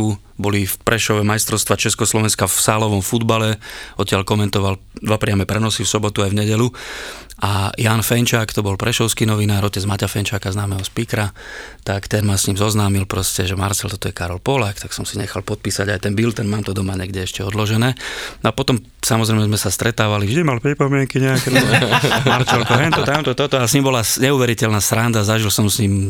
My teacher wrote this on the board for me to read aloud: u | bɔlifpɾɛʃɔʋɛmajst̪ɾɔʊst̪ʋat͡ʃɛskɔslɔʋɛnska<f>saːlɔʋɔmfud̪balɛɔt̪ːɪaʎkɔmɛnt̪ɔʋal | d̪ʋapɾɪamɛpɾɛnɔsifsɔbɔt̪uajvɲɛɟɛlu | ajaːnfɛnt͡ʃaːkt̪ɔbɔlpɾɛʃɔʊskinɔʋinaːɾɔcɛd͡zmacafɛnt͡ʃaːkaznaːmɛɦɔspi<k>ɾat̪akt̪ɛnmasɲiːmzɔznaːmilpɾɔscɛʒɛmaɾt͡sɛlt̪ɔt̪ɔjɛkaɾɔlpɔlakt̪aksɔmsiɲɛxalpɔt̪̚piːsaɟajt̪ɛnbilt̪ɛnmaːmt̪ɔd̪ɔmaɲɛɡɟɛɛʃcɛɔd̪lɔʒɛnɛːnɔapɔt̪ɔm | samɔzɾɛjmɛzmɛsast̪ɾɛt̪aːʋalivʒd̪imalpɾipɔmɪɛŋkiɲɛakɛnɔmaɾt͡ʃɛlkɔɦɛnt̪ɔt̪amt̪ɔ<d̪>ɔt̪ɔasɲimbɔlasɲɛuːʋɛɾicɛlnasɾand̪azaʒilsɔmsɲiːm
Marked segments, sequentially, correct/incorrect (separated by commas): correct, correct, incorrect